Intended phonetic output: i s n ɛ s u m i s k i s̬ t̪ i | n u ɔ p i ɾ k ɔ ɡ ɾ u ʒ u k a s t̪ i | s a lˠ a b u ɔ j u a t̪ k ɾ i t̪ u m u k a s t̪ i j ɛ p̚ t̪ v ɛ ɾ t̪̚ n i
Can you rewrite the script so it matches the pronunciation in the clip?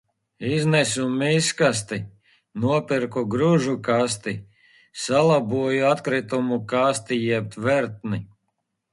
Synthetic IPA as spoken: i z n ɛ s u m i s k a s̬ t̪ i | n u ɔ p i ɾ k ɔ ɡ ɾ u ʒ u k a s t̪ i | s a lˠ a b u ɔ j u a t̪ k ɾ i t̪ u m u k a s t̪ i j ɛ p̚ t̪ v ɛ ɾ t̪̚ n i